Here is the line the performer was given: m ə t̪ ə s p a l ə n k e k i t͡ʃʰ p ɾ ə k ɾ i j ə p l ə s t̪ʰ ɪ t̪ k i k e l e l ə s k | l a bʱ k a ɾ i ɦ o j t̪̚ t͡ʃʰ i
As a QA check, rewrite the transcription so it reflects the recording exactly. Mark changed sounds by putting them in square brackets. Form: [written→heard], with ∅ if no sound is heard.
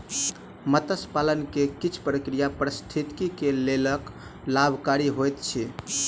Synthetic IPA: m ə t̪ ə s p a l ə n k e k i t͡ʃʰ p ɾ ə k ɾ i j [ə→a] p [l→ɾ] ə s t̪ʰ [ɪ→i] t̪ k i k e l e l ə [s→∅] k | l a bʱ k a ɾ i ɦ o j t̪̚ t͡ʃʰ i